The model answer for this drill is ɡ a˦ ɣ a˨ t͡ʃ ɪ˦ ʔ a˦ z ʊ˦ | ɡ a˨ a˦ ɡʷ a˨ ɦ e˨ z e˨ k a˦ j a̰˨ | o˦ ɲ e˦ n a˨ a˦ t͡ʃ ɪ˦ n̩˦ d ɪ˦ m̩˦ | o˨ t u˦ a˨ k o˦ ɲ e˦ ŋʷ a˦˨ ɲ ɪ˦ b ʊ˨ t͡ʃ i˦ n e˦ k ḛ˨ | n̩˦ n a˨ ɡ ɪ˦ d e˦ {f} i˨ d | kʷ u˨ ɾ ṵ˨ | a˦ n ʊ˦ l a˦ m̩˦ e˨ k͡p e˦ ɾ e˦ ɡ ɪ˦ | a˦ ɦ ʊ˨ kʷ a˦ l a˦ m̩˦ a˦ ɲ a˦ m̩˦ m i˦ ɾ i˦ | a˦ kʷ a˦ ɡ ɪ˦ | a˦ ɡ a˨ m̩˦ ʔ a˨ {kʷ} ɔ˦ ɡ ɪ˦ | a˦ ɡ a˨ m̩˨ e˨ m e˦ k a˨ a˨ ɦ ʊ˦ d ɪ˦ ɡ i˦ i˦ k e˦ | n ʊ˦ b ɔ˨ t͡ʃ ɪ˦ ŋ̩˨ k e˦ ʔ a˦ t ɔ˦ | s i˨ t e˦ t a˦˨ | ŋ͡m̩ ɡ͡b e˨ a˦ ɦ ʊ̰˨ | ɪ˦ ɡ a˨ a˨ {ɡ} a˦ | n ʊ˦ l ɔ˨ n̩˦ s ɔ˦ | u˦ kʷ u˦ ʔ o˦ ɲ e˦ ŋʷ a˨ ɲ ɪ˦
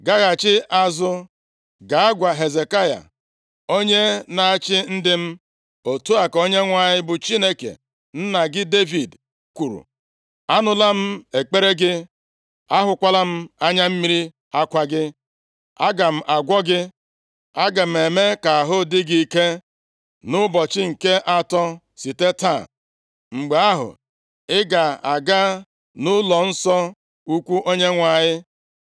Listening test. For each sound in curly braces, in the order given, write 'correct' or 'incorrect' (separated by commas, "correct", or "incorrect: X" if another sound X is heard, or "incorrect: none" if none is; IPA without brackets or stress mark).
incorrect: v, incorrect: ɡʷ, correct